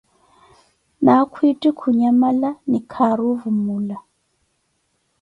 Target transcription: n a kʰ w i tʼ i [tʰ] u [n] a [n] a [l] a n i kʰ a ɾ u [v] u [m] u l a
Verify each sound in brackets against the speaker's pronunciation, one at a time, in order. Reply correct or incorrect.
incorrect: kʰ, incorrect: ɲ, incorrect: m, correct, correct, correct

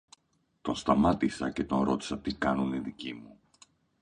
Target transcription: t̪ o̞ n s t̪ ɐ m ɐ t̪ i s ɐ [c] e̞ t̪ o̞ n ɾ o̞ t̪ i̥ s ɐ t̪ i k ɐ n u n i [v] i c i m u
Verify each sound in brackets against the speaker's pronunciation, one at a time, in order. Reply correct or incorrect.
correct, incorrect: ð

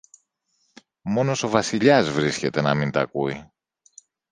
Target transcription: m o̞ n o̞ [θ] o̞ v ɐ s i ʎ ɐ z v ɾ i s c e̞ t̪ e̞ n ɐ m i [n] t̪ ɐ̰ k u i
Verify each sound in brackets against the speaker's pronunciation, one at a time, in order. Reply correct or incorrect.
incorrect: s, correct

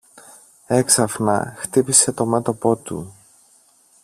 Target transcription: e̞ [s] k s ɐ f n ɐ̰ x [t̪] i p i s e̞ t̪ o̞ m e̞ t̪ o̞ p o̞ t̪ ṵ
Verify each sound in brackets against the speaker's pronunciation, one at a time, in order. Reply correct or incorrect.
incorrect: none, correct

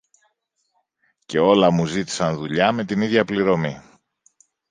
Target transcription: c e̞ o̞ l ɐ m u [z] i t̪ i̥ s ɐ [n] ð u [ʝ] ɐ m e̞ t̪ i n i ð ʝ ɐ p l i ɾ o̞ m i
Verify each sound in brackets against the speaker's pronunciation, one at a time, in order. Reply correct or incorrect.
correct, correct, incorrect: ʎ

